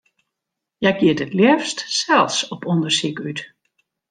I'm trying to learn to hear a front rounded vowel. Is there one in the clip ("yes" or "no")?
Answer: yes